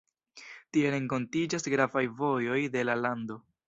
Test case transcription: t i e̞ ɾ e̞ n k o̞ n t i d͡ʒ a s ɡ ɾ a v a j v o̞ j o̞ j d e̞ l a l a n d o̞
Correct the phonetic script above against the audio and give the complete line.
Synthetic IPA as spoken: t i e̞ ɾ e̞ ŋ k o̞ n t i d͡ʒ a s ɡ ɾ a v a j v o̞ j o̞ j d e̞ l a l a n d o̞